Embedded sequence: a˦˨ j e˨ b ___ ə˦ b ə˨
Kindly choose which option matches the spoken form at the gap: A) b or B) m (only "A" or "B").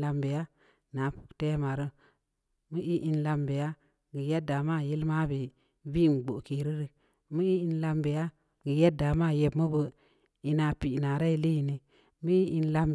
B